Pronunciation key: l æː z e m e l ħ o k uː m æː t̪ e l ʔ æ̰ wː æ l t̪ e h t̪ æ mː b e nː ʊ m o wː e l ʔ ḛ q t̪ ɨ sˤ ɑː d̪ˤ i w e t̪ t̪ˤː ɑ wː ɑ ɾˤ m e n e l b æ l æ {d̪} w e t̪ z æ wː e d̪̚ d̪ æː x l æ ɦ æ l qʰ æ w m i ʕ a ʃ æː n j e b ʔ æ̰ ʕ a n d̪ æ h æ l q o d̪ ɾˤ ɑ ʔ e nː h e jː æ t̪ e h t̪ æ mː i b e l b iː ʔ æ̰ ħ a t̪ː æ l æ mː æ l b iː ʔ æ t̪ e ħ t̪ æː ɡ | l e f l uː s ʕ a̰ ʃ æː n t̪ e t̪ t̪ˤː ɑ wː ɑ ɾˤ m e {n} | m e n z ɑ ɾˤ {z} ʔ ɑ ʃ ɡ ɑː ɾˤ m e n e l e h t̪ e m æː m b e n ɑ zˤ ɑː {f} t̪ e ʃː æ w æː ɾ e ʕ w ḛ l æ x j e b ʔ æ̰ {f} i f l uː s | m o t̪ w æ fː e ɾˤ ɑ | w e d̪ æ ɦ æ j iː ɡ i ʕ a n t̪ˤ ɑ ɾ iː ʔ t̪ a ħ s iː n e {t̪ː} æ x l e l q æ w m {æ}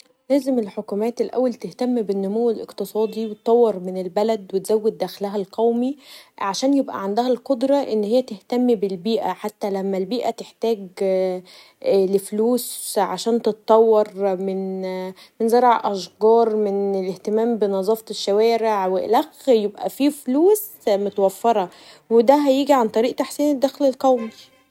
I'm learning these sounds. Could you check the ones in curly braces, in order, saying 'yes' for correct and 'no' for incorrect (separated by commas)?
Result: yes, yes, no, yes, yes, no, no